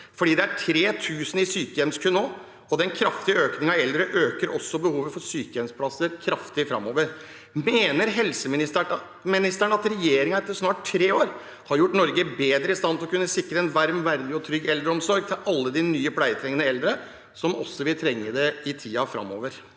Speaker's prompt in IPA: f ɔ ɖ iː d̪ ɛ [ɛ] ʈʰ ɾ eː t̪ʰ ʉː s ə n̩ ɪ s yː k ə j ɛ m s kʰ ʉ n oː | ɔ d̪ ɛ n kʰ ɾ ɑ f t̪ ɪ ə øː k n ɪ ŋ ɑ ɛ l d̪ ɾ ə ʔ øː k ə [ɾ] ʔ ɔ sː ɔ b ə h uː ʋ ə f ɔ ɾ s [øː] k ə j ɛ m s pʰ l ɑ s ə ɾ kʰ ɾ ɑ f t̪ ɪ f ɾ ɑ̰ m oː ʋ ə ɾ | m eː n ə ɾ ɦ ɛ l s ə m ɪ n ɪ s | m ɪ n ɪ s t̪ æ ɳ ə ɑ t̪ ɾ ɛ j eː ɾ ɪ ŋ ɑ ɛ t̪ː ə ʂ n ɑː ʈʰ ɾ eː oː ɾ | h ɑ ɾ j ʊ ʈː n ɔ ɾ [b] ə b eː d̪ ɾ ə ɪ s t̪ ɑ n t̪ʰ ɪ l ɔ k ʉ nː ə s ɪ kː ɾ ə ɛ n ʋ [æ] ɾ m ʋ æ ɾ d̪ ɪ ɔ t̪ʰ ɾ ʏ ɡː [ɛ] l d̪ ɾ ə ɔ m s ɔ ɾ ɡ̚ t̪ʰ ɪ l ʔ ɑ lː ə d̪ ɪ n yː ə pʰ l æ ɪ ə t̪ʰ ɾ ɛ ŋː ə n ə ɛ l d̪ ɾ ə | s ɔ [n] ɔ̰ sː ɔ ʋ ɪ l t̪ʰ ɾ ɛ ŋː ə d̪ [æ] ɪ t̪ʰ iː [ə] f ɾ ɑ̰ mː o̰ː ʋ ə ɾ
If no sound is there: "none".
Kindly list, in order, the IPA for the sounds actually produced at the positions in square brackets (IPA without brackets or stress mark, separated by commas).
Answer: æ, ɾ, yː, ɡ, æ, ɛ, m, ɛ, ɑ